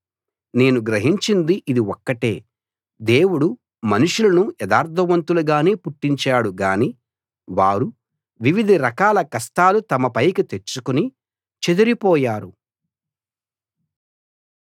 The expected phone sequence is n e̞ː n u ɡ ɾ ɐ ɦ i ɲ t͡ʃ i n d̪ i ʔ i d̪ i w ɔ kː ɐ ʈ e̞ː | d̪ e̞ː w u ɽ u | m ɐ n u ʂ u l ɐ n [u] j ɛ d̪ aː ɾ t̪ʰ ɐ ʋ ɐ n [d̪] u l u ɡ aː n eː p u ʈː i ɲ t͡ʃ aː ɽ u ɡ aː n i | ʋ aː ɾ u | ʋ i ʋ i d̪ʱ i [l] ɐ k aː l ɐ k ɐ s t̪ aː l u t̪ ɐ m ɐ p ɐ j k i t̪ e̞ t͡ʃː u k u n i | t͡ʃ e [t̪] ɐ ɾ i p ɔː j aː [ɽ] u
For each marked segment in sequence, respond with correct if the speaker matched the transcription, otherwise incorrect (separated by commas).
correct, incorrect, incorrect, incorrect, incorrect